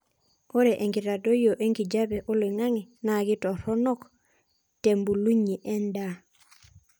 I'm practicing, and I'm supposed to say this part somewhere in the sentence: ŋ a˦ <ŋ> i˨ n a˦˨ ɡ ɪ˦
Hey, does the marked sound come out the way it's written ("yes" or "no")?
yes